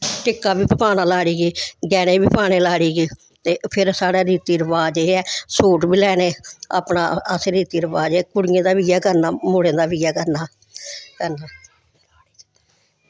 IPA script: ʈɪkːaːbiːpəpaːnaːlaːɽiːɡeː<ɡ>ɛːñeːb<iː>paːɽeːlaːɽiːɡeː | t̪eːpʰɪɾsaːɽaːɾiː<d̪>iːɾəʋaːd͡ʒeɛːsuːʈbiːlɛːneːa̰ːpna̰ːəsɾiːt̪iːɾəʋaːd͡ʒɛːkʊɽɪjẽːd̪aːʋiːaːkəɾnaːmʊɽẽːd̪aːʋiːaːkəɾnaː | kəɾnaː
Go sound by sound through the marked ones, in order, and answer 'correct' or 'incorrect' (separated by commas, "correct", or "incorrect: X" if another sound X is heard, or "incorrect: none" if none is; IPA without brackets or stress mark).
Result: correct, correct, incorrect: t̪